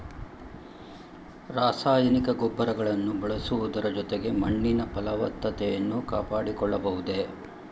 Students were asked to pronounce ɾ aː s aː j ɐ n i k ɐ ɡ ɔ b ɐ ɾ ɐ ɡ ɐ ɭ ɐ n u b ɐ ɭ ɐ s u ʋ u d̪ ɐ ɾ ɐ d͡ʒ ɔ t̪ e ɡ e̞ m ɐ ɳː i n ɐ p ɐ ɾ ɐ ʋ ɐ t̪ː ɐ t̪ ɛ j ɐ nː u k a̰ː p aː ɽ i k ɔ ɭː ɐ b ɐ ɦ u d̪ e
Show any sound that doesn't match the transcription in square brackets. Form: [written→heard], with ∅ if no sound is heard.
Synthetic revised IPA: ɾ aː s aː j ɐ n i k ɐ ɡ ɔ [b→bː] ɐ ɾ ɐ ɡ ɐ ɭ ɐ [n→nː] u b ɐ ɭ ɐ s u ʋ u d̪ ɐ ɾ ɐ d͡ʒ ɔ t̪ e ɡ e̞ m ɐ ɳː i n ɐ p ɐ [ɾ→l] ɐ ʋ ɐ t̪ː ɐ t̪ ɛ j ɐ nː u k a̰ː p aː ɽ i k ɔ ɭː ɐ b ɐ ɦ u d̪ e